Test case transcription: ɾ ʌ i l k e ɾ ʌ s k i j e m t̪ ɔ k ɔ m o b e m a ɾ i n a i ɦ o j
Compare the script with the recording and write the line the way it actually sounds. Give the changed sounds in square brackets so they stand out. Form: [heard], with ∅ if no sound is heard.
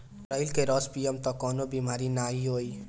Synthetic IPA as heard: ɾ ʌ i l k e ɾ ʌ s [p] i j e m t̪ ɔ k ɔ [n] o b [i] m a ɾ i n a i ɦ o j